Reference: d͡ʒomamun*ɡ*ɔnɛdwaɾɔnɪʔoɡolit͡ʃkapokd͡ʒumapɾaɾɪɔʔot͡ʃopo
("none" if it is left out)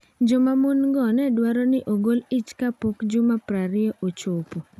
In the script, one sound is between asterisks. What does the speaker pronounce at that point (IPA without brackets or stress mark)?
ɡ